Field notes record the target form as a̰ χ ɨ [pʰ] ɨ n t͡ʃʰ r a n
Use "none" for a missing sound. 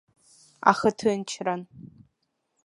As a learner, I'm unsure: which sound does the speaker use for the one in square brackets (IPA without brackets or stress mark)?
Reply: tʰ